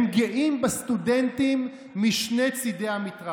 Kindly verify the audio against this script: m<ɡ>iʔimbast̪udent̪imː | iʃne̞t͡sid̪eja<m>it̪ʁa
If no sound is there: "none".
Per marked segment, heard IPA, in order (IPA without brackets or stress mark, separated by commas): ɡ, m